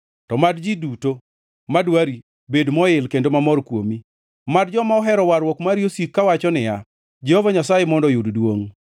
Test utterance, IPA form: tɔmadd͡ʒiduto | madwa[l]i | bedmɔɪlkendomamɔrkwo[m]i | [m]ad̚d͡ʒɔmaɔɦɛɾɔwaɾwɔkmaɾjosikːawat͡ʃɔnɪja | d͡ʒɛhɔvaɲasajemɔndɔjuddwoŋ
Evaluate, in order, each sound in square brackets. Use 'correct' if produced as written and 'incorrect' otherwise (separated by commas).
incorrect, correct, correct